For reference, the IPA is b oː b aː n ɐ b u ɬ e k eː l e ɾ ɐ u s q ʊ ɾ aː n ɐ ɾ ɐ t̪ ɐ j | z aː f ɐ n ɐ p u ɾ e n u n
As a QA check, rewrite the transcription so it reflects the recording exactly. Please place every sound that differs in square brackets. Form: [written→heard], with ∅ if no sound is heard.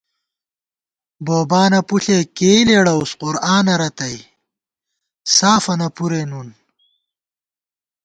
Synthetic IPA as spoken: b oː b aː n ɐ [b→p] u ɬ e k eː l e [ɾ→ɽ] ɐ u s q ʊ ɾ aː n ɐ ɾ ɐ t̪ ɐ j | [z→s] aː f ɐ n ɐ p u ɾ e n u n